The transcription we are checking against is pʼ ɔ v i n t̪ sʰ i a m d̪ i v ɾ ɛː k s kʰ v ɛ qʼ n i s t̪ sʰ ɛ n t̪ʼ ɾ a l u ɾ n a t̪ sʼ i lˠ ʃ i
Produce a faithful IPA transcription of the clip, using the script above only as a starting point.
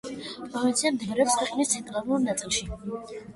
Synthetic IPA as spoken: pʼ ɔ v i n t̪ sʰ i a m d̪ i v ɾ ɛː p s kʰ w ɛ qʼ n i s t̪ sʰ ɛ n t̪ʼ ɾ a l u ɾ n a t̪ sʼ i lˠ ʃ i